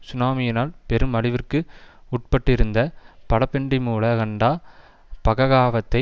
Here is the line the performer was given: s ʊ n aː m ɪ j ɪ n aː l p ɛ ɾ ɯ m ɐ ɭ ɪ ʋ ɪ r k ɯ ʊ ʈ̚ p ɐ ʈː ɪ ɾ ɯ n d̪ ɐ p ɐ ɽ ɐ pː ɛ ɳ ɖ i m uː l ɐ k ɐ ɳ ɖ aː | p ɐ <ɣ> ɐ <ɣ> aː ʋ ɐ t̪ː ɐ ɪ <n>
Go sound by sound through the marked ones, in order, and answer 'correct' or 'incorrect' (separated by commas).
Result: correct, correct, incorrect